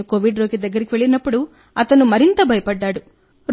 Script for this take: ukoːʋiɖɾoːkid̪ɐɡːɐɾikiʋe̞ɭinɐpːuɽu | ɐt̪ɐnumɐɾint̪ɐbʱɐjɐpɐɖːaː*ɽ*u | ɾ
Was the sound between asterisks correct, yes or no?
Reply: yes